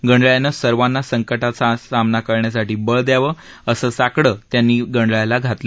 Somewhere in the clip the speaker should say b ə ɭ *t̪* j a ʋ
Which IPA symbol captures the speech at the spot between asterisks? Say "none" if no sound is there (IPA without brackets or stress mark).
d̪